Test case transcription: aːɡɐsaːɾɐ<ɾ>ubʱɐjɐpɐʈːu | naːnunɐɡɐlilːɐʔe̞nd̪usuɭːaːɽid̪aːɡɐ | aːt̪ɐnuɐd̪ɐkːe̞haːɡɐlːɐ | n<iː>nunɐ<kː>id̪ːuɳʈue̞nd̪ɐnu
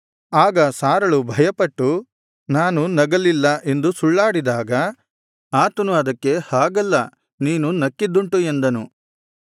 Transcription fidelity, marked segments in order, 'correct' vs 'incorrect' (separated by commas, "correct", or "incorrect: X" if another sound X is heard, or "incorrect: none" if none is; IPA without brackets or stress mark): incorrect: ɭ, correct, correct